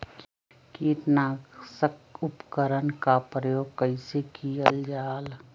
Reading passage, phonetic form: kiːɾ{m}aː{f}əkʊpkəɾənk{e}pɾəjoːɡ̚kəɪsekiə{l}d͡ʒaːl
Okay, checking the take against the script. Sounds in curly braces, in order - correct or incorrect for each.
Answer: incorrect: n, incorrect: s, incorrect: a, correct

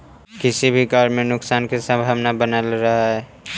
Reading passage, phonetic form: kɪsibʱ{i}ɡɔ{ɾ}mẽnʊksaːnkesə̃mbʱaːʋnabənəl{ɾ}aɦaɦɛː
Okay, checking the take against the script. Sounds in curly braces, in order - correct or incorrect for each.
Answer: correct, correct, correct

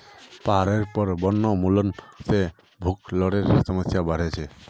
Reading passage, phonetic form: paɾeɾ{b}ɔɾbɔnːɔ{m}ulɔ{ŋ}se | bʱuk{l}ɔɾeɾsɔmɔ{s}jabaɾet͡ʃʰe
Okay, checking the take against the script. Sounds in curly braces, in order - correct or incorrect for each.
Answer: incorrect: p, correct, incorrect: n, correct, correct

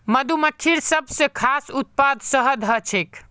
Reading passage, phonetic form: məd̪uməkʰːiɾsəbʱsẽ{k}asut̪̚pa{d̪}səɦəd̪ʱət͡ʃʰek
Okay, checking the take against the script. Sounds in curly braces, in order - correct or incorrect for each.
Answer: incorrect: kʰ, correct

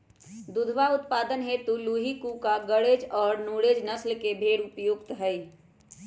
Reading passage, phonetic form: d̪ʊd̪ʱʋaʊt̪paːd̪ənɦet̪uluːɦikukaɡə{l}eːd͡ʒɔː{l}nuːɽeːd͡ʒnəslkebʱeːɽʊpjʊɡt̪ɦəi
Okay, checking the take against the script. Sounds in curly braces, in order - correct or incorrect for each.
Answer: incorrect: ɽ, incorrect: ɾ

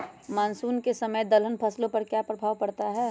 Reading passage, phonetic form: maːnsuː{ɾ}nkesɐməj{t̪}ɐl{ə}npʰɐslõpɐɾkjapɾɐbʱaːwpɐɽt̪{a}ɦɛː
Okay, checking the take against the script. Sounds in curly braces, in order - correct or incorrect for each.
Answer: incorrect: none, incorrect: d̪, correct, correct

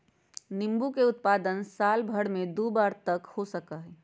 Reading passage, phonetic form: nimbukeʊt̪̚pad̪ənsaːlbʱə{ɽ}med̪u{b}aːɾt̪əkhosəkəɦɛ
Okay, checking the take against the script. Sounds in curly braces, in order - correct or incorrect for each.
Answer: correct, correct

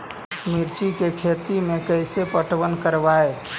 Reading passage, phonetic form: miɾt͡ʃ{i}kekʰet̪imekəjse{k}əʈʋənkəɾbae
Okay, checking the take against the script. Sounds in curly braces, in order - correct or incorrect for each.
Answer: correct, incorrect: p

